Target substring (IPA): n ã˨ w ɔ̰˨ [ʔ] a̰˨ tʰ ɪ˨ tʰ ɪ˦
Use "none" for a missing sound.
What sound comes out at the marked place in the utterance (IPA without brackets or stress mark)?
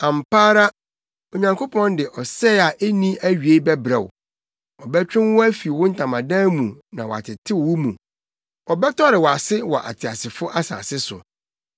none